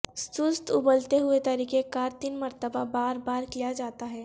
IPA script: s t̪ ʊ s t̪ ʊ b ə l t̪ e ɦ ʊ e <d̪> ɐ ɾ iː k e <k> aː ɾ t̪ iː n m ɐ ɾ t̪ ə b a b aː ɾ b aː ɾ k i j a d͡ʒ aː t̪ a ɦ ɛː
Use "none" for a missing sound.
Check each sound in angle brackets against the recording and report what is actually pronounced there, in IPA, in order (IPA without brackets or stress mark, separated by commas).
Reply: t̪, k